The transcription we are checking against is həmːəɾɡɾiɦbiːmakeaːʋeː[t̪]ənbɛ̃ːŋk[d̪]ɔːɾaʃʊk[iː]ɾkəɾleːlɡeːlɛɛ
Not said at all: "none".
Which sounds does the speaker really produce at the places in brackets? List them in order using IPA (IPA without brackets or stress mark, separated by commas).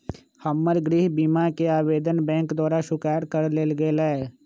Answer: d̪, d̪, aː